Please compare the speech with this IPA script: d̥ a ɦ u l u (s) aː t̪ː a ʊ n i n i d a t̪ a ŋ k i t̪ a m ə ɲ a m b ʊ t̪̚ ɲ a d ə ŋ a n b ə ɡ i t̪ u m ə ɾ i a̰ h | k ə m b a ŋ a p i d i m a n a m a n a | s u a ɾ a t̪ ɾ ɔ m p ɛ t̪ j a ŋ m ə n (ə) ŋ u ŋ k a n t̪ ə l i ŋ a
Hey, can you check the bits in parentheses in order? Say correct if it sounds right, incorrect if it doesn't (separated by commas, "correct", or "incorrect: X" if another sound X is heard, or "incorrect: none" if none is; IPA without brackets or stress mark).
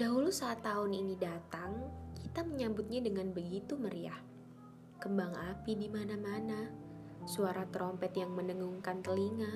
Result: correct, correct